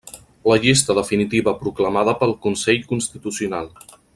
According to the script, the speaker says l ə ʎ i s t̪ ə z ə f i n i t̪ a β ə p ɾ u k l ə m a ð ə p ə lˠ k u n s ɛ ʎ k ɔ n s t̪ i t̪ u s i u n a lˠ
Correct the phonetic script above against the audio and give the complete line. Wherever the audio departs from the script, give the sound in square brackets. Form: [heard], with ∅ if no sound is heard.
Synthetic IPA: l ə ʎ i s t̪ ə [ð] ə f i n i t̪ [i] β ə p ɾ u k l ə m a ð ə p ə lˠ k u n s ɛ ʎ k [u] n s t̪ i t̪ u s i u n a lˠ